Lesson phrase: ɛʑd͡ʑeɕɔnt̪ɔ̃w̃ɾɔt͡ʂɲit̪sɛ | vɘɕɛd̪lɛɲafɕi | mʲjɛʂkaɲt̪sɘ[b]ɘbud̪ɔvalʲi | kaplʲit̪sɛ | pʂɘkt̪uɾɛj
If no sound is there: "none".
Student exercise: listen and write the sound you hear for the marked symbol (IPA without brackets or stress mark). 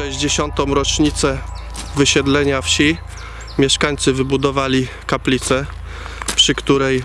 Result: v